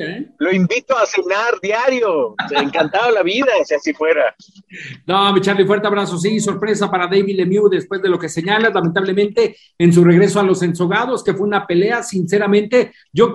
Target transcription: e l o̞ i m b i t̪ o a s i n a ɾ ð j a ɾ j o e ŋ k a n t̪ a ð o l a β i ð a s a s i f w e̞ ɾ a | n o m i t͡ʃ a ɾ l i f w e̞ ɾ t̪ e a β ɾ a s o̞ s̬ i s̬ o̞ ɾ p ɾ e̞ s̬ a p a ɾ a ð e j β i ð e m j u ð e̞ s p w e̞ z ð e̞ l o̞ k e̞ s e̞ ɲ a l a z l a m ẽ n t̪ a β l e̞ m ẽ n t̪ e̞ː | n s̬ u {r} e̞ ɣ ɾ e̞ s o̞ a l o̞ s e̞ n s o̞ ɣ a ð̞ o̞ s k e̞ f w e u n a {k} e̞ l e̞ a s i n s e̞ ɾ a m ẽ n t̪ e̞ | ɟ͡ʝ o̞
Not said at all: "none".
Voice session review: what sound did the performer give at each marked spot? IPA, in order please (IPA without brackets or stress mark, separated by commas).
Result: r, p